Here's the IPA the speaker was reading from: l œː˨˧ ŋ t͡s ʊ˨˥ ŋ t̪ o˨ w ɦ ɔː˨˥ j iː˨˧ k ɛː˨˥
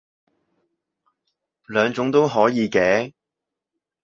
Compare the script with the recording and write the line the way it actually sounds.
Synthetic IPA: l œː˨˧ ŋ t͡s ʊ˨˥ ŋ t̪ o˥ w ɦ ɔː˨˥ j iː˨˧ k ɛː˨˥